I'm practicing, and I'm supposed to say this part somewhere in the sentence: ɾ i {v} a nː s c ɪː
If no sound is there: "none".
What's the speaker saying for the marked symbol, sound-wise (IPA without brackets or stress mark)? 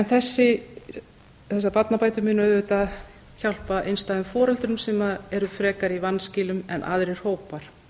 v